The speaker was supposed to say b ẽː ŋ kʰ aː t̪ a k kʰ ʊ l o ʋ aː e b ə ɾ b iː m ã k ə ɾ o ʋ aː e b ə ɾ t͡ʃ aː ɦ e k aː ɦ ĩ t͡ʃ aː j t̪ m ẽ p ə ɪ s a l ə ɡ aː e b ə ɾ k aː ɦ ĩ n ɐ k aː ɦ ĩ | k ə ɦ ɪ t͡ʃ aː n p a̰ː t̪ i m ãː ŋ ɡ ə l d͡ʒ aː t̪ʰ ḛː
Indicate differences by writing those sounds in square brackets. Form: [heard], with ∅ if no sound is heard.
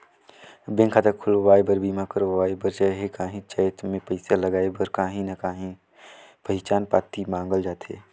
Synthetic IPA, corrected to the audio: b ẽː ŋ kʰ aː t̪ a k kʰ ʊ l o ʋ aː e b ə ɾ b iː m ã k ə ɾ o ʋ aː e b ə ɾ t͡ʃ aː ɦ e k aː ɦ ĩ t͡ʃ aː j t̪ m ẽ p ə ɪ s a l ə ɡ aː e b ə ɾ k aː ɦ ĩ n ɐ k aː ɦ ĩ | [p] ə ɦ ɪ t͡ʃ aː n p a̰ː t̪ i m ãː ŋ ɡ ə l d͡ʒ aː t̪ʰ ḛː